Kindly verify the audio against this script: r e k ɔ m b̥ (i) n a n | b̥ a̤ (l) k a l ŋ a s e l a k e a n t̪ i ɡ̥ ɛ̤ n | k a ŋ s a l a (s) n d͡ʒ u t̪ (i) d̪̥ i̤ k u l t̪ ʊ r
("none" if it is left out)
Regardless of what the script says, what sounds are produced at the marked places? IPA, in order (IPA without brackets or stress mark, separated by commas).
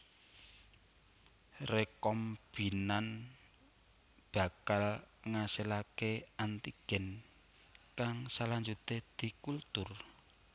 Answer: i, none, none, e